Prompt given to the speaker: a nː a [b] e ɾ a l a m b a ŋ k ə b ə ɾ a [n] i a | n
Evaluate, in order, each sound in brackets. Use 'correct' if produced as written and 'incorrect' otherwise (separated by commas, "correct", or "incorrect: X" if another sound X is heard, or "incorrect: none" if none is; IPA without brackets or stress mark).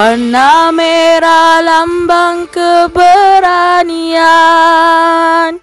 incorrect: m, correct